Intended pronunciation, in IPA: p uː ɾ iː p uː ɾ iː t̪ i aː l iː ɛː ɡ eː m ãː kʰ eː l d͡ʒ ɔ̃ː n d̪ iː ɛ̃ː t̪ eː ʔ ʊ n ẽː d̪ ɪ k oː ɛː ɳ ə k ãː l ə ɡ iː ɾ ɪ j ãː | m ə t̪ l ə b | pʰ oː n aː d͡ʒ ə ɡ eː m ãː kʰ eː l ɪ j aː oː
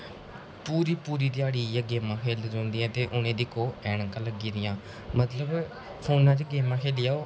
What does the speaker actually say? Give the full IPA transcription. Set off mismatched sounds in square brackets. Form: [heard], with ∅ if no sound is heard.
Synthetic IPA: p uː ɾ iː p uː ɾ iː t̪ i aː [ɽ] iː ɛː ɡ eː m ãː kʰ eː l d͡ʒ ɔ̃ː n d̪ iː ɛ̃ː t̪ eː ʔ ʊ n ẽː d̪ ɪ k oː ɛː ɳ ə k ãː l ə ɡ iː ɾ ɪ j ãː | m ə t̪ l ə b | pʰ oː n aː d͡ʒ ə ɡ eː m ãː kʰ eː l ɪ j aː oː